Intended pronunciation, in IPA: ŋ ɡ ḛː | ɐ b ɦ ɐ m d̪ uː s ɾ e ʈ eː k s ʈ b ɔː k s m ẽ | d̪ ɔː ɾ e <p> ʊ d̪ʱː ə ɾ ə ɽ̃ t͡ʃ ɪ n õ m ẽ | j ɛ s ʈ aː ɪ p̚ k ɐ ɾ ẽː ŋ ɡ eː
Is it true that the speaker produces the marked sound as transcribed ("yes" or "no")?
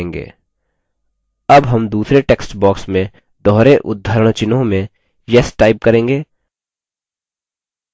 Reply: no